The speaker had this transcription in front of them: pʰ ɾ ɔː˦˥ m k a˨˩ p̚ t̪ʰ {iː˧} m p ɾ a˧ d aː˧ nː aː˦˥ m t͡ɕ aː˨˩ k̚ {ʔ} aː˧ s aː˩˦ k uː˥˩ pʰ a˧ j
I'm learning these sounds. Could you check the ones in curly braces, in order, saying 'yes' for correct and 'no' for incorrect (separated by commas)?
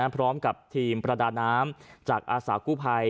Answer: yes, yes